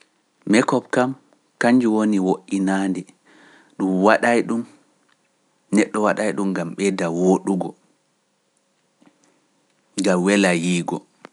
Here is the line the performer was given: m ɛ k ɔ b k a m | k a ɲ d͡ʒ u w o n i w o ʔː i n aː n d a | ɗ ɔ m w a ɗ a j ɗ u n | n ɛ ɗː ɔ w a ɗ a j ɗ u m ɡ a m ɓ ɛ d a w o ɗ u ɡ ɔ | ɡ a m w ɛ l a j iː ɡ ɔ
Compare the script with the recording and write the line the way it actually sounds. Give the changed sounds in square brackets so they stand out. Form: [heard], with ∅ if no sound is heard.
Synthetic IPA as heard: m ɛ k ɔ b k a m | k a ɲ d͡ʒ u w o n i w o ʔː i n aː n d [ɛ] | ɗ [u] m w a ɗ a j ɗ u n | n ɛ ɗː ɔ w a ɗ a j ɗ u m ɡ a m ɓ ɛ d a w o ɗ u ɡ ɔ | ɡ a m w ɛ l a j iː ɡ ɔ